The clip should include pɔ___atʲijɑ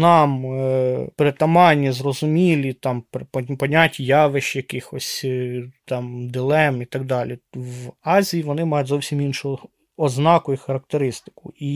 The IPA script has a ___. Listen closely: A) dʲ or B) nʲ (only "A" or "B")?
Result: B